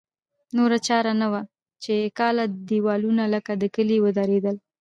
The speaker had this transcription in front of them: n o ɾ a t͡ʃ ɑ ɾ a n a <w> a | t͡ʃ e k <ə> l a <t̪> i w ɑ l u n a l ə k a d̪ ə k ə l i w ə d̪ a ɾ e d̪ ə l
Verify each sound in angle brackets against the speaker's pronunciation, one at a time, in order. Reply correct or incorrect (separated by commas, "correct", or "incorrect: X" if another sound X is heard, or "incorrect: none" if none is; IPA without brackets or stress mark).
correct, incorrect: ɑ, incorrect: d̪